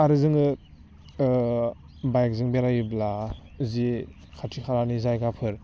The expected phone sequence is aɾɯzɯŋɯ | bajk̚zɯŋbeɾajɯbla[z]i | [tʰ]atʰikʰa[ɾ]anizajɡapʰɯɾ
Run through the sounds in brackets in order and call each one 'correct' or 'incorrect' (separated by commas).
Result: correct, incorrect, correct